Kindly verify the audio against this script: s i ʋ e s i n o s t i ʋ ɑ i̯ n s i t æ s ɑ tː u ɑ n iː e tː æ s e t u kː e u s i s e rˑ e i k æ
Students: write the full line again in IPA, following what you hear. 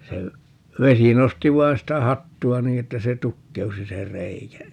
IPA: s e ʋ e s i n o s t i ʋ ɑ i̯ n s i t æ h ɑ tː u ɑ n iː e tː æ s e t u kː e u s i s e rˑ e i k æ